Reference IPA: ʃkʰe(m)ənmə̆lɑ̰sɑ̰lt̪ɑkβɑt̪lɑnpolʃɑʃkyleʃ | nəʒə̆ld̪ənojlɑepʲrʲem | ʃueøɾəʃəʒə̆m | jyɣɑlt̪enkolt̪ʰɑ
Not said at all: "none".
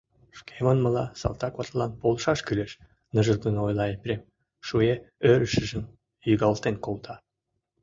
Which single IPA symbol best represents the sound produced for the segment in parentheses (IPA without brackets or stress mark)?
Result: m